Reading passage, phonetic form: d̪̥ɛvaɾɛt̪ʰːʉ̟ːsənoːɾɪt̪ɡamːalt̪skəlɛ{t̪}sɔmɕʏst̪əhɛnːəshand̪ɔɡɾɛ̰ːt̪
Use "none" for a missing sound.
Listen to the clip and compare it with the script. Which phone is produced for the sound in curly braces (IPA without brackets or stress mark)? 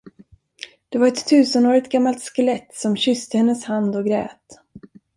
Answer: t̪